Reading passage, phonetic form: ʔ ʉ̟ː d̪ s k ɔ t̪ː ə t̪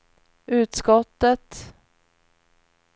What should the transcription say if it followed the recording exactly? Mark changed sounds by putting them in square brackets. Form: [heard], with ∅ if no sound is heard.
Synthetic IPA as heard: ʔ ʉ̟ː [t̪] s k ɔ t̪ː ə t̪